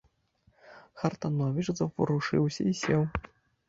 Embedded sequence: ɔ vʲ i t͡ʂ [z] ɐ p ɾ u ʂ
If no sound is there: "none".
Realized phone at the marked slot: z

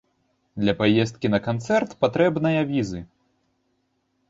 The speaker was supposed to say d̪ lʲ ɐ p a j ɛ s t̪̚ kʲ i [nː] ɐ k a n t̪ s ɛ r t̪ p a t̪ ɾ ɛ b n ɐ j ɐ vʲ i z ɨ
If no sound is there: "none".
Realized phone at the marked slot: n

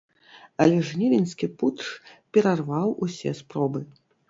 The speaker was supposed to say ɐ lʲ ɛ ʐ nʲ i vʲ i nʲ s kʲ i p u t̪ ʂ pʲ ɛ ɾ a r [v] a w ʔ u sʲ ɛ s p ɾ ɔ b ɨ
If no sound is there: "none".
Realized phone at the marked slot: v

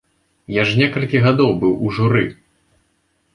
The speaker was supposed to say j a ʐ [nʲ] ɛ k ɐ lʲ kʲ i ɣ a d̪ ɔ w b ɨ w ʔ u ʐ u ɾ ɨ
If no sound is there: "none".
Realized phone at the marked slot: nʲ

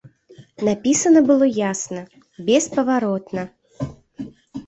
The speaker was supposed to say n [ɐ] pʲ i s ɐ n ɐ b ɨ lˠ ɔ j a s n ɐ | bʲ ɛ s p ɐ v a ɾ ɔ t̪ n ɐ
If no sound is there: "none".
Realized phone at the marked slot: a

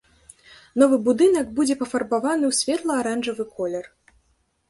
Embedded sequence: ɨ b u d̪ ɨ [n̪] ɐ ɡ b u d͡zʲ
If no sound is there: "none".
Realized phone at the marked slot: n̪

